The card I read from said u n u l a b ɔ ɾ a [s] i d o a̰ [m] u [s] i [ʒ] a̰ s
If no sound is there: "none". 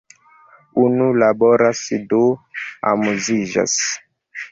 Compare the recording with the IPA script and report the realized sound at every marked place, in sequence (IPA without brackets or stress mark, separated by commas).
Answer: s, m, z, ʒ